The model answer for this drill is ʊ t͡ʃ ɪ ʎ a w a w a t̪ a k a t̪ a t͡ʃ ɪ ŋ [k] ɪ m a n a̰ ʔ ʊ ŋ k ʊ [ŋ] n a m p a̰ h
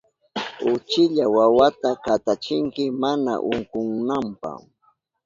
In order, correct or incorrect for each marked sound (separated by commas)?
correct, correct